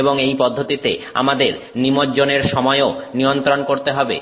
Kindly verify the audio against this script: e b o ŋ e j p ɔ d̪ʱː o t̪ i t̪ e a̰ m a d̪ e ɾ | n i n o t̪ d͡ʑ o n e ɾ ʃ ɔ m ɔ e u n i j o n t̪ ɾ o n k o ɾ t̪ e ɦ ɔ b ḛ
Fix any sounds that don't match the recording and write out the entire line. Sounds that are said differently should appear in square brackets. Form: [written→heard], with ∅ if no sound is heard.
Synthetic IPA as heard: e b o ŋ e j p ɔ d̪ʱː o t̪ i t̪ e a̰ m a d̪ e ɾ | n i [n→m] o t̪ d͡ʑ o n e ɾ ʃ ɔ m ɔ e [u→o] n i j o n t̪ ɾ o n k o ɾ t̪ e ɦ ɔ b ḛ

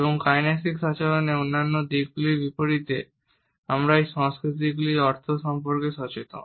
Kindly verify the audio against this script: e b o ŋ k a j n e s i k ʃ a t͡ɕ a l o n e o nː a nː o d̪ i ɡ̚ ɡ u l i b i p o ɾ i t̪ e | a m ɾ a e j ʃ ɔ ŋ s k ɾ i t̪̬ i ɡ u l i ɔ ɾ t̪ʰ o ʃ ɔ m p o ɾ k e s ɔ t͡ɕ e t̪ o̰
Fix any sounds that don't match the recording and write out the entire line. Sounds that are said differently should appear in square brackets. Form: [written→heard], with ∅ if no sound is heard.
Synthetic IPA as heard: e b o ŋ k a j n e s i k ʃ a t͡ɕ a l o n e o nː a nː o d̪ i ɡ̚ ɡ u l i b i p o ɾ i t̪ e | a m ɾ a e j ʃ ɔ ŋ s k ɾ i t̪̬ i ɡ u l i ɔ ɾ t̪ʰ o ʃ ɔ m p o ɾ k e [s→ʃ] ɔ t͡ɕ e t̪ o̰

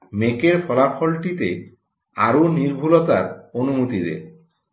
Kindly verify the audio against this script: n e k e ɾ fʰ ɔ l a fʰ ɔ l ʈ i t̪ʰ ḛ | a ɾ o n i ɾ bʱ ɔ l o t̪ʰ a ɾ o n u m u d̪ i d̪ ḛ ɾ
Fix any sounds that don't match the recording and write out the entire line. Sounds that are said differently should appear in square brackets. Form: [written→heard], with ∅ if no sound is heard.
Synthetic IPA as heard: [n→m] e k e ɾ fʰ ɔ l a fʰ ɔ l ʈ i [t̪ʰ→t̪] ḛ | a ɾ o n i ɾ bʱ [ɔ→u] l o [t̪ʰ→t̪] a ɾ o n u m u [d̪→t̪] i d̪ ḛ ɾ

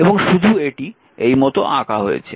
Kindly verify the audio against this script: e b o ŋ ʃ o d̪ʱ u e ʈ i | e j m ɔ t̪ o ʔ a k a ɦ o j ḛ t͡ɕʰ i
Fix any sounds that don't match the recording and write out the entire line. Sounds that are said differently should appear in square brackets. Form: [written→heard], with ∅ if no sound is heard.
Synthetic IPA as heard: e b o ŋ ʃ [o→u] d̪ʱ u e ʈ i | e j m ɔ t̪ o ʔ a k a ɦ o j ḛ t͡ɕʰ [i→e]

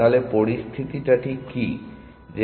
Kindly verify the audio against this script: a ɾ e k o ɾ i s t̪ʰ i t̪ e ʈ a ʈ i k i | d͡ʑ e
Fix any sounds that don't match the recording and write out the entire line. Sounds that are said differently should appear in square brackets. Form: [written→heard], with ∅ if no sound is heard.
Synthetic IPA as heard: a [ɾ→l] e [k→p] o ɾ i s t̪ʰ i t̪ [e→i] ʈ a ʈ i k i | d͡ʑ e

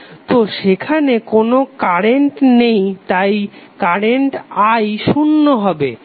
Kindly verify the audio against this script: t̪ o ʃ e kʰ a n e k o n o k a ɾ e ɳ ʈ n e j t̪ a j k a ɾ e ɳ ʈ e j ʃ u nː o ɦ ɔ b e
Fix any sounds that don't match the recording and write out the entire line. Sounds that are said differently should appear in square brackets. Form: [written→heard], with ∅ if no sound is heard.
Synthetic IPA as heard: t̪ o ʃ e kʰ a n e k o n o k a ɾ e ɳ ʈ n e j t̪ a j k a ɾ e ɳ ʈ [e→a] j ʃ u nː o ɦ ɔ b e

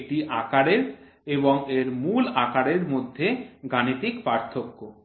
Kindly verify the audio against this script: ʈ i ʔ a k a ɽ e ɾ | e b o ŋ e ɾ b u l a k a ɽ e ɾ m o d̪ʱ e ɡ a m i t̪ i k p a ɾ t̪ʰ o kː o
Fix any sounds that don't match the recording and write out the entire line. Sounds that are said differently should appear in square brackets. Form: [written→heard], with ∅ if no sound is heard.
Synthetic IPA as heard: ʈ i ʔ a k a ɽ e ɾ | e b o ŋ e ɾ [b→m] u l a k a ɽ e ɾ m o [d̪ʱ→d̪ʱː] e ɡ a [m→n] i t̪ i k p a ɾ t̪ʰ o kː o

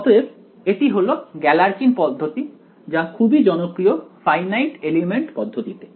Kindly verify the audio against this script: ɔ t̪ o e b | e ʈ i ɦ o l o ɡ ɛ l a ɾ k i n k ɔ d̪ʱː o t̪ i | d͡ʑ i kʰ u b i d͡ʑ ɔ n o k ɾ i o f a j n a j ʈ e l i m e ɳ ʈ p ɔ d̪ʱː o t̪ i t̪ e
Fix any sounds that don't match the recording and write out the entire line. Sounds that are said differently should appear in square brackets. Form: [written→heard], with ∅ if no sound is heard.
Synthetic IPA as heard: ɔ t̪ o e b | e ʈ i ɦ o l o ɡ ɛ l a ɾ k i n [k→p] ɔ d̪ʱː o t̪ i | d͡ʑ [i→a] kʰ u b i d͡ʑ ɔ n o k ɾ i o f a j n a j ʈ e l i m e ɳ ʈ p ɔ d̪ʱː o t̪ i t̪ e

